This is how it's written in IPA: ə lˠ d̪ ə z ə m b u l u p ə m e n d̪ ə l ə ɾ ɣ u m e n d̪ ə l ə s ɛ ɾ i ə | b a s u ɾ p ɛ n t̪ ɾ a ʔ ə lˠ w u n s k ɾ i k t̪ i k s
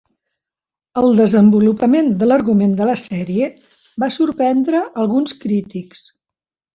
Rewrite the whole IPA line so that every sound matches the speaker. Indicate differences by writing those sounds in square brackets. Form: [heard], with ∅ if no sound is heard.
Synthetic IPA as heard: ə lˠ d̪ ə z ə m b u l u p ə m e n d̪ ə l ə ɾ ɣ u m e n d̪ ə l ə s ɛ ɾ i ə | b a s u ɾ p ɛ n [d̪] ɾ [ə] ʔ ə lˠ [ɣ] u n s k ɾ i [∅] t̪ i k s